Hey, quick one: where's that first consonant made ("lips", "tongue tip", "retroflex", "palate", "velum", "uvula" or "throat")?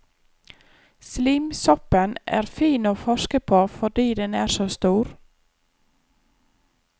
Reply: tongue tip